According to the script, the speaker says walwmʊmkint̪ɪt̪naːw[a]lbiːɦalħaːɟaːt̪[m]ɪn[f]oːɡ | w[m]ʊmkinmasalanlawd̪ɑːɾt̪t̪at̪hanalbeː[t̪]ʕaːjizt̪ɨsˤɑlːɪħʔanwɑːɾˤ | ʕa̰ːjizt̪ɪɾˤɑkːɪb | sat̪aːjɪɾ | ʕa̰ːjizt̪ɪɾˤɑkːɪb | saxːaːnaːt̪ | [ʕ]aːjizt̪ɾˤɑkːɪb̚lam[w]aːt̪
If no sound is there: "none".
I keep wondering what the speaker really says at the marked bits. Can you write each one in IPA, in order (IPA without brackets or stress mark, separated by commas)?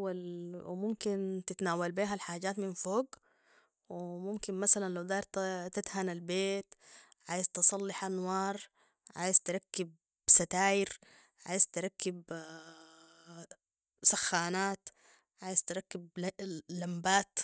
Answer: a, m, f, m, t̪, ʕ, b